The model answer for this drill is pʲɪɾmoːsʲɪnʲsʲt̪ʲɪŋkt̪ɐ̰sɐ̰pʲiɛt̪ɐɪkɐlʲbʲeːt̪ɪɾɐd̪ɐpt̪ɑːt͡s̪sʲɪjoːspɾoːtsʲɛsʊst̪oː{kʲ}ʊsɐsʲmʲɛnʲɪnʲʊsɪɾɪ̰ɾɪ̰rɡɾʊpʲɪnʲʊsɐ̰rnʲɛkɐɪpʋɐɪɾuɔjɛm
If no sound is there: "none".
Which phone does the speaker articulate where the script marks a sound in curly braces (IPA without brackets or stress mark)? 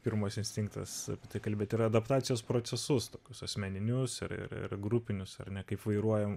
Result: kʲ